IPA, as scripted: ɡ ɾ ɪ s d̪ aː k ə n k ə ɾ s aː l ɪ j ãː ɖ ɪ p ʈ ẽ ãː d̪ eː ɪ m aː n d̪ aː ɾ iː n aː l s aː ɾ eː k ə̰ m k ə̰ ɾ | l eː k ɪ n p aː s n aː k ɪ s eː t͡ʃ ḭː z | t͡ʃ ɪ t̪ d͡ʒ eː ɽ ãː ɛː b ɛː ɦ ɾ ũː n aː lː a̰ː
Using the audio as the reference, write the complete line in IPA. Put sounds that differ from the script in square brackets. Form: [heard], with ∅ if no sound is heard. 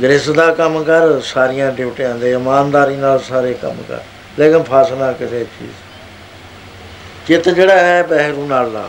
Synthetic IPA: ɡ ɾ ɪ s d̪ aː k ə [m] k ə ɾ s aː [ɾ] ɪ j ãː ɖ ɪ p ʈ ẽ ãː d̪ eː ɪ m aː n d̪ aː ɾ iː n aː l s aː ɾ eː k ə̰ m k ə̰ ɾ | l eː k ɪ n [pʰ] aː s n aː k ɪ s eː t͡ʃ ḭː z | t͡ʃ ɪ t̪ d͡ʒ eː ɽ [aː] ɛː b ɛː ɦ ɾ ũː n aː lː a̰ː